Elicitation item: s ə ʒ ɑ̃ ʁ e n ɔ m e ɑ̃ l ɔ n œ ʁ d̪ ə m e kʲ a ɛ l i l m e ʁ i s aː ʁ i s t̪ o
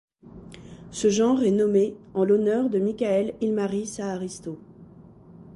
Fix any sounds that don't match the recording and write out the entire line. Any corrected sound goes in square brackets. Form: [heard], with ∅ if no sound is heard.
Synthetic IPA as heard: s ə ʒ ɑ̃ ʁ [ɛ] n ɔ m e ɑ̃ l ɔ n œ ʁ d̪ ə m [i] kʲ a ɛ l i l m [a] ʁ i s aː ʁ i s t̪ o